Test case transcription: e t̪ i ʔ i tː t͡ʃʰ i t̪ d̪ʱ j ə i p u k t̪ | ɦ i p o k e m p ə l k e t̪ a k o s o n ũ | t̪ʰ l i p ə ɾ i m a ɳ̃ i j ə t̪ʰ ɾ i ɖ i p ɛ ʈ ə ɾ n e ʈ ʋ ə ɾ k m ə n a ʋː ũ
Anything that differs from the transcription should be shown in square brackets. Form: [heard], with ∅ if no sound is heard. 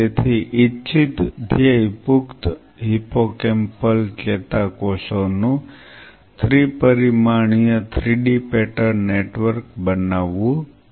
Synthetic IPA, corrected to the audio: e [t̪ʰ] i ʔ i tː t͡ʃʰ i t̪ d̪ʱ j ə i p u k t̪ | ɦ i p o k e m p ə l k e t̪ a k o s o n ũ | t̪ʰ [ɾ] i p ə ɾ i m a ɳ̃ i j ə t̪ʰ ɾ i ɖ i p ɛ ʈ ə ɾ n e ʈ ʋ ə ɾ k [b] ə n a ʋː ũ